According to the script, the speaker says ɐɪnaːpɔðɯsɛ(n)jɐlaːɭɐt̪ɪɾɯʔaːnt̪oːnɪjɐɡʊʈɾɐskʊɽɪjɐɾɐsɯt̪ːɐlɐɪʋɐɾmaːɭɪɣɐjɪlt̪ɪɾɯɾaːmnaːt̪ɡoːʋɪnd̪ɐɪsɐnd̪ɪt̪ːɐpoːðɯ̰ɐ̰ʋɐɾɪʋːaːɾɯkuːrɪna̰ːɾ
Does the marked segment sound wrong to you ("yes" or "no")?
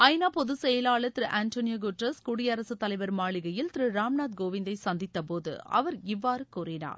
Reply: yes